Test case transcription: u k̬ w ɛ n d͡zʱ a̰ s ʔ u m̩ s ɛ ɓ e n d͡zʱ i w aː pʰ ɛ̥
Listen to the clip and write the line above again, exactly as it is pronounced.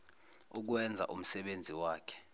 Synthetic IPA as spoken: u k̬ w ɛ n d͡zʱ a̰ ʔ u m̩ s ɛ ɓ e n d͡zʱ i w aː kʰ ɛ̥